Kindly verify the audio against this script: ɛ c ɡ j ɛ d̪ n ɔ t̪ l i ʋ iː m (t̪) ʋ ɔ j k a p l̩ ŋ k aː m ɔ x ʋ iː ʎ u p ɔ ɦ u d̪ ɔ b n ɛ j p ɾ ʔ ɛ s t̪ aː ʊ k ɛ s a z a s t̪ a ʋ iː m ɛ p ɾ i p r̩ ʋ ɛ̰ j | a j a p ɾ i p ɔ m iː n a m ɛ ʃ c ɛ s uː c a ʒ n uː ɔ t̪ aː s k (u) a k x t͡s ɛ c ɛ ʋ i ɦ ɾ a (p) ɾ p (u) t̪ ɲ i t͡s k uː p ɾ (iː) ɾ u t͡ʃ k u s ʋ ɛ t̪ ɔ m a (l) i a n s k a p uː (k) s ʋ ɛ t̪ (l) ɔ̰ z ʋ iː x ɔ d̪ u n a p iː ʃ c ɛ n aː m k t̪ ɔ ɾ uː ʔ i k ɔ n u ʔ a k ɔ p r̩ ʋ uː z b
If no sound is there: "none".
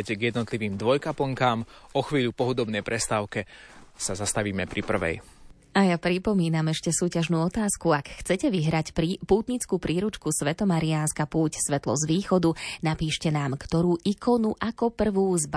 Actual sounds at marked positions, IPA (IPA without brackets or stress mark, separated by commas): d̪, u, c, uː, iː, ɾ, c, l